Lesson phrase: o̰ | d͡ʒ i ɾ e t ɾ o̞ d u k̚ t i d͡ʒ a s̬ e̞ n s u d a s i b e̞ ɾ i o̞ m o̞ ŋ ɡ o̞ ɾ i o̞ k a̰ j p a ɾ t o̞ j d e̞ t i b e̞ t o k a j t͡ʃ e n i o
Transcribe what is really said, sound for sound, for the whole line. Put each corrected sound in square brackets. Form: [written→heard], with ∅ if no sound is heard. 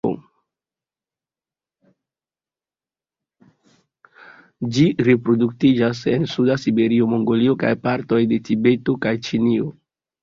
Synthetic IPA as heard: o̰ | d͡ʒ i ɾ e [t→p] ɾ o̞ d u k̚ t i d͡ʒ a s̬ e̞ n s u d a s i b e̞ ɾ i o̞ m o̞ ŋ ɡ o̞ [ɾ→l] i o̞ k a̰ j p a ɾ t o̞ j d e̞ t i b e̞ t o k a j t͡ʃ [e→i] n i o